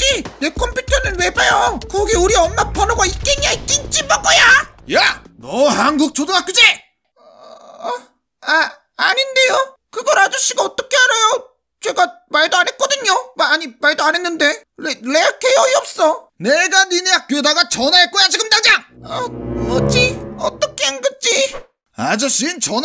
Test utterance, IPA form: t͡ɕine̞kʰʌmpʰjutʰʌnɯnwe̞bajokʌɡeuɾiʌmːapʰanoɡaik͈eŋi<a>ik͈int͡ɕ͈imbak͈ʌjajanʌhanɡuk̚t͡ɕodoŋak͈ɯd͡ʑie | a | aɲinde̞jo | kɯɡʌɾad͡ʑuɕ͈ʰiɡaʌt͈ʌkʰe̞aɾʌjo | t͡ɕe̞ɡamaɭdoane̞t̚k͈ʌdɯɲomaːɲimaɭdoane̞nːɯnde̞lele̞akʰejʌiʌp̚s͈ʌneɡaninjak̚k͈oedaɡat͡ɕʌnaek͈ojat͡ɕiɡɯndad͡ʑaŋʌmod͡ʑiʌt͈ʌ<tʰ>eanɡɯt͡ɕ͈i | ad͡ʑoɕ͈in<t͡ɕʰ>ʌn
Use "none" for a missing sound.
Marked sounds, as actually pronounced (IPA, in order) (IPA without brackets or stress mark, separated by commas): a, kʰ, t͡ɕ